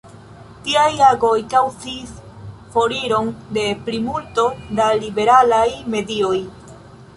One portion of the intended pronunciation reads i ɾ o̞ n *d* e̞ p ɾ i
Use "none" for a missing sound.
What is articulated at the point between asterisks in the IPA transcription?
d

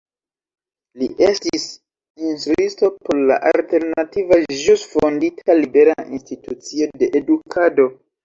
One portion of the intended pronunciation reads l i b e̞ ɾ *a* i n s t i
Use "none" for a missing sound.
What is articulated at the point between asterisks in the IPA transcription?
a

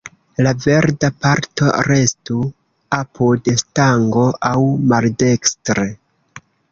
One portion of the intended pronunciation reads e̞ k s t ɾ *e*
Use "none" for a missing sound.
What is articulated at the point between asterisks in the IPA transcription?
e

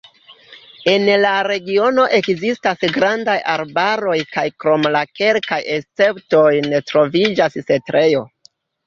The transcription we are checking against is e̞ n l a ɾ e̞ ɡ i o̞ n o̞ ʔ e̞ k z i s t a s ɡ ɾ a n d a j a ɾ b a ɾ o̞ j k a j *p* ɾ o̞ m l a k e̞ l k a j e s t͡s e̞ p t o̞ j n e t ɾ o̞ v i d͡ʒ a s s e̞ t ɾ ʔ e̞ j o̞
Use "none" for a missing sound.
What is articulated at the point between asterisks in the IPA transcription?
k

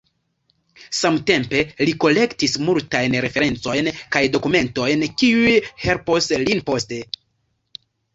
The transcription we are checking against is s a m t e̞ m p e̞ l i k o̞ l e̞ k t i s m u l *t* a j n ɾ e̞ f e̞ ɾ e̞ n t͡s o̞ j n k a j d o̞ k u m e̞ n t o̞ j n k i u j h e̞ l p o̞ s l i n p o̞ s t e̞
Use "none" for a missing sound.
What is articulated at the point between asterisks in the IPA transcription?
t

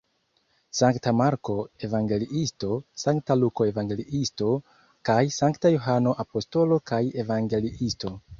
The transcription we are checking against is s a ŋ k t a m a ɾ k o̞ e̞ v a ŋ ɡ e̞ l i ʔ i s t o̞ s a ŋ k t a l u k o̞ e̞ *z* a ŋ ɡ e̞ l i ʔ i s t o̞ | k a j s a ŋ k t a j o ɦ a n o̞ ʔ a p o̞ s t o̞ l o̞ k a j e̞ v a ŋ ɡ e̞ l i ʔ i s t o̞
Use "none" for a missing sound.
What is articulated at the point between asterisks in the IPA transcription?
v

